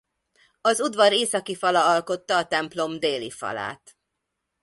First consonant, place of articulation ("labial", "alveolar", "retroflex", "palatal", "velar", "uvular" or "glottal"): alveolar